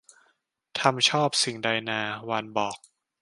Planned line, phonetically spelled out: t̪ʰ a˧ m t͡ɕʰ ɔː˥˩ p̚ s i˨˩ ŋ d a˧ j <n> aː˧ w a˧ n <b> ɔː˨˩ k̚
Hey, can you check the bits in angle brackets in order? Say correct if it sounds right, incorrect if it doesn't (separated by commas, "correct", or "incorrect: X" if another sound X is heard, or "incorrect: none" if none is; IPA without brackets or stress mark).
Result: correct, correct